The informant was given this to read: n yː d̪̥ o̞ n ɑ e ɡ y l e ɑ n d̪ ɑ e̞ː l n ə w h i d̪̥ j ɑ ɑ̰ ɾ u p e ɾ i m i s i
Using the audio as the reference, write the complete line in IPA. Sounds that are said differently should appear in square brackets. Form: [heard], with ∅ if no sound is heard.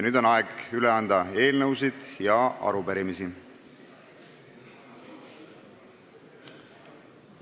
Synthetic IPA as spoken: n yː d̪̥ o̞ n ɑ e ɡ y l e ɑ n d̪ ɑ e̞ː l n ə w [s] i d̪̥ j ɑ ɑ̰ ɾ u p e ɾ i m i s i

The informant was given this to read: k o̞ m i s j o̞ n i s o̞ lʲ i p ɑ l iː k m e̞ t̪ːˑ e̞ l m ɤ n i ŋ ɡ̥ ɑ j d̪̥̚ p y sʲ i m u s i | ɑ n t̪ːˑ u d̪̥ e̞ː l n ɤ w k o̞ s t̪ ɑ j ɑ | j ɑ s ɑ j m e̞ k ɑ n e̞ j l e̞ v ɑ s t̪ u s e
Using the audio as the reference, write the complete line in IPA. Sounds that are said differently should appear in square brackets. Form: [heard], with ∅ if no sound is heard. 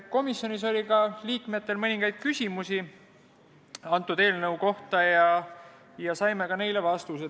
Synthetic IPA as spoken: k o̞ m i s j o̞ n i s o̞ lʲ i [k] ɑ l iː k m e̞ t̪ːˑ e̞ l m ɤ n i ŋ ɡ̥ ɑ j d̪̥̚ [k] y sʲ i m u s i | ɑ n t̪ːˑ u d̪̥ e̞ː l n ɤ w k o̞ [h] t̪ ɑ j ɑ | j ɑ s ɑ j m e̞ k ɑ n e̞ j l e̞ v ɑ s t̪ u s e

